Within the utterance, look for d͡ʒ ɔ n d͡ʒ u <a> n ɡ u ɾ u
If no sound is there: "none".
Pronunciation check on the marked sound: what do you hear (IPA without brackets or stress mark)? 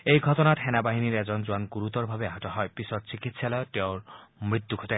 a